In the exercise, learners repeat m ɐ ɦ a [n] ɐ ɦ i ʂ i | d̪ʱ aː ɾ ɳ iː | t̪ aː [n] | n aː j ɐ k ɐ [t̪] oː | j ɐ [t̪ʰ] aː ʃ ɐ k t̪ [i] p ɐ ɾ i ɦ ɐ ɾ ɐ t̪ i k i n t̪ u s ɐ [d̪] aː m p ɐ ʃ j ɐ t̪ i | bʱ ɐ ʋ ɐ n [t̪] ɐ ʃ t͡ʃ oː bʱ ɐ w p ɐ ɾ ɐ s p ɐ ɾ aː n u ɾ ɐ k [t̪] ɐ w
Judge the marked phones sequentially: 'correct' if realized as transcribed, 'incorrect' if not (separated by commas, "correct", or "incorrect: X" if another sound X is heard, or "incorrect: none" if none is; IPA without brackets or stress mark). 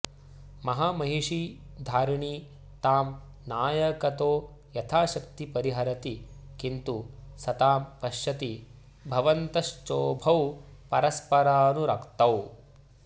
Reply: incorrect: m, incorrect: m, correct, correct, correct, incorrect: t̪, correct, correct